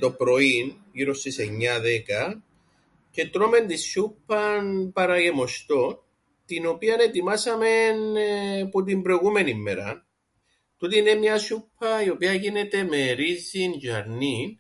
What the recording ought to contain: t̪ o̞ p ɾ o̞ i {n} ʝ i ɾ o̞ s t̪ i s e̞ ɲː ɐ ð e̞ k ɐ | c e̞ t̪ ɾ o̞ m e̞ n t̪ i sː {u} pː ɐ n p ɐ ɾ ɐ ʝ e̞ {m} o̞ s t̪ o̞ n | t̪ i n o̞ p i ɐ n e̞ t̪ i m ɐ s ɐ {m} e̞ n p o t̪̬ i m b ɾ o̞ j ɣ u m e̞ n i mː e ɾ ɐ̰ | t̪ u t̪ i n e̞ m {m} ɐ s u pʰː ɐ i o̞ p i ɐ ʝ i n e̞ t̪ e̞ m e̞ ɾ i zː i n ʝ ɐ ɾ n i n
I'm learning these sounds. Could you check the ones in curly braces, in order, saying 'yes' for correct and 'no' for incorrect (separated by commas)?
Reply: yes, yes, yes, yes, no